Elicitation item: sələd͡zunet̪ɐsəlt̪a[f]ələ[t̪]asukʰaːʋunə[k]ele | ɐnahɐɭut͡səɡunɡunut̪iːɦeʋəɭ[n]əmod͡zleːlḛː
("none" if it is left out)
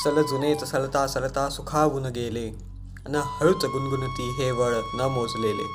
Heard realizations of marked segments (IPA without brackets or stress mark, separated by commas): s, t̪, ɡ, n